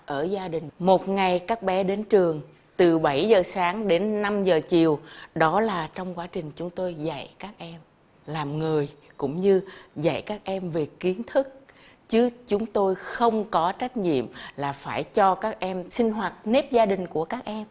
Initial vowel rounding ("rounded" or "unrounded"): unrounded